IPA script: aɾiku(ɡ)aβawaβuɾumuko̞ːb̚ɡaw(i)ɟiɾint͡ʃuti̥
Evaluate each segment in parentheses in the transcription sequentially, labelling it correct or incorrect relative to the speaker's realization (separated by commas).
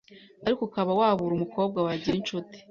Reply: incorrect, incorrect